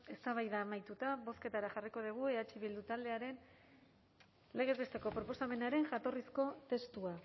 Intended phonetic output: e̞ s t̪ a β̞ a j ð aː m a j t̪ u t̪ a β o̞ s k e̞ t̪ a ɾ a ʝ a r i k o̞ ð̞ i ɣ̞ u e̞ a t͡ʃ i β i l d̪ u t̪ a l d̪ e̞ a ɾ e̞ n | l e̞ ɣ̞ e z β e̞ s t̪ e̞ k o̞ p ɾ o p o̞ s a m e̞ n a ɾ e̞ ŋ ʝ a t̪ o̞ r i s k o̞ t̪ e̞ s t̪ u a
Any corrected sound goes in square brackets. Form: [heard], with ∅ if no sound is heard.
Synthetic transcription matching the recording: e̞ s t̪ a β̞ a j ð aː m a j t̪ u t̪ a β o̞ s k e̞ t̪ a ɾ a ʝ a r i k o̞ ð̞ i ɣ̞ u e̞ a t͡ʃ i β i l d̪ u t̪ a l d̪ e̞ a ɾ e̞ n | l e̞ ɣ̞ e z β e̞ s t̪ e̞ k o̞ p ɾ o p o̞ s a m e̞ n a ɾ e̞ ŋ ʝ a t̪ o̞ r i s k o̞ t̪ e̞ s t̪ u a

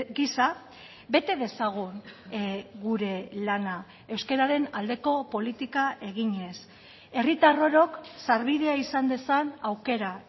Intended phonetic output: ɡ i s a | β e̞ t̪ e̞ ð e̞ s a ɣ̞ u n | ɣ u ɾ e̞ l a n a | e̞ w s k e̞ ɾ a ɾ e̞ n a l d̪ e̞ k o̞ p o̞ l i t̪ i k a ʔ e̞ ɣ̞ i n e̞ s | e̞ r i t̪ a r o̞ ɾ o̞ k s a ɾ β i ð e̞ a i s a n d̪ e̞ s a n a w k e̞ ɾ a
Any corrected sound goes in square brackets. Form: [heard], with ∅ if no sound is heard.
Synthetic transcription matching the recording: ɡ i s a | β e̞ t̪ e̞ ð e̞ s a ɣ̞ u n | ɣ u ɾ e̞ l a n a | e̞ w s k e̞ ɾ a ɾ e̞ n a l d̪ e̞ k o̞ p o̞ l i t̪ i k a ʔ e̞ ɣ̞ i [ɲ] e̞ s | e̞ r i t̪ a r o̞ ɾ o̞ k s a ɾ β i ð e̞ a i s a n d̪ e̞ s a n a w k e̞ ɾ a

